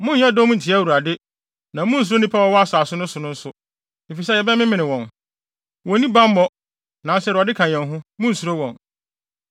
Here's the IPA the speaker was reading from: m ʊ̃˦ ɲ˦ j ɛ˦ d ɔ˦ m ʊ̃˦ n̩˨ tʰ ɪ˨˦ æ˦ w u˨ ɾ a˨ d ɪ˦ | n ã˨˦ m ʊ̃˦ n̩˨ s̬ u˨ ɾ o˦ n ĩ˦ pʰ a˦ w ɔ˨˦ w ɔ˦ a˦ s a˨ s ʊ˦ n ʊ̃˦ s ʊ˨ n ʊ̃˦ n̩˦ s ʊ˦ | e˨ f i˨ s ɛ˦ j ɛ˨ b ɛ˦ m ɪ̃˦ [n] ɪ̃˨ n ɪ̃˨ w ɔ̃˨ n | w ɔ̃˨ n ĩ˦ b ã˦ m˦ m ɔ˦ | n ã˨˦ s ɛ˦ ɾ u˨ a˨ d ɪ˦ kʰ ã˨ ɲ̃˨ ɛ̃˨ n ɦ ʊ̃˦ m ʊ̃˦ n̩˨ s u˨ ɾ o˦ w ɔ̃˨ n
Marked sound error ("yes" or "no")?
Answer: yes